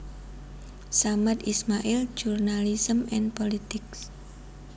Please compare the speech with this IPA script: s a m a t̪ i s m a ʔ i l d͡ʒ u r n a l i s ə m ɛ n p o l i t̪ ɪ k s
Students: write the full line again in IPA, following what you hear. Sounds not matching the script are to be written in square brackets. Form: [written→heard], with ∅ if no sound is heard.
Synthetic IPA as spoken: s a m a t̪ i s m a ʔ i l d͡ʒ u r n a l i s ə m ɛ n p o l i t̪ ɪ k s